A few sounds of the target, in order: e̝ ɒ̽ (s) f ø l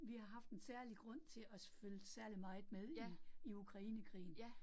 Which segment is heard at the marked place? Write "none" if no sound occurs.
s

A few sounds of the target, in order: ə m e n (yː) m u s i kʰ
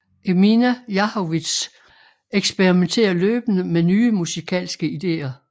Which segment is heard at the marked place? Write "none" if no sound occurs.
yː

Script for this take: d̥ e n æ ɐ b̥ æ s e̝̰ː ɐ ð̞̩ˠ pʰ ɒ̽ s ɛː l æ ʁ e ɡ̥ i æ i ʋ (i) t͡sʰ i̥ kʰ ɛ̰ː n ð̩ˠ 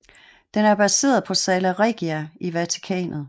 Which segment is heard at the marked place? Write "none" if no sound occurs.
æ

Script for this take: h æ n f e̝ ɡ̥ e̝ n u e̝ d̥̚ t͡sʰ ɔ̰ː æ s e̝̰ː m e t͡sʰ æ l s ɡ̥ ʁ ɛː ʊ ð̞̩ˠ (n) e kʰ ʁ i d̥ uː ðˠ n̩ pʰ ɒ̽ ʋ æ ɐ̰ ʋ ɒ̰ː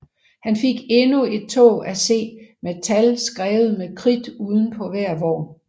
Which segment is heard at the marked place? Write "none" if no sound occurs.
m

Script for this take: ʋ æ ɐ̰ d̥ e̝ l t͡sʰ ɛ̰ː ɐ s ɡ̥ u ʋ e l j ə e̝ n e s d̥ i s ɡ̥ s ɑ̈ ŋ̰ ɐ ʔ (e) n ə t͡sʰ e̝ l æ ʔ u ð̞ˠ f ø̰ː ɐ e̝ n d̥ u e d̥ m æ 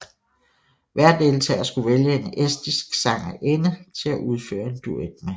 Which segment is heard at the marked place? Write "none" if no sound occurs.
e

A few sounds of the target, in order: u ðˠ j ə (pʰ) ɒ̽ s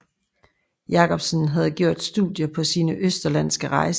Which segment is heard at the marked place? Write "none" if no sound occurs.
pʰ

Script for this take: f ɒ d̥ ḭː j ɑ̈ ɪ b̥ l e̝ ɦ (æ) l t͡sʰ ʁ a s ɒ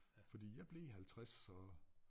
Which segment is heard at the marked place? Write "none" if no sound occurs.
æ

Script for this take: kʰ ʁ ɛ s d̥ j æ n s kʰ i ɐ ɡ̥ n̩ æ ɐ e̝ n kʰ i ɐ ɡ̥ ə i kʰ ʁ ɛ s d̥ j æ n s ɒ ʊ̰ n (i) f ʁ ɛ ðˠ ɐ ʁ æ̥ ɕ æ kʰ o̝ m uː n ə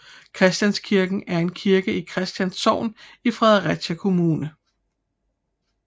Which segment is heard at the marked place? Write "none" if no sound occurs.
i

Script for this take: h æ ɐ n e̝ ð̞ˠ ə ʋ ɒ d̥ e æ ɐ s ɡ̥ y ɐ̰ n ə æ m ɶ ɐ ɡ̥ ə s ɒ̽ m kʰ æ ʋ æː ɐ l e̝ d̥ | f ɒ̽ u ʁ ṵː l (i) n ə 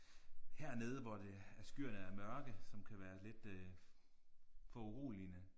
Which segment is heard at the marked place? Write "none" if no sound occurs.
i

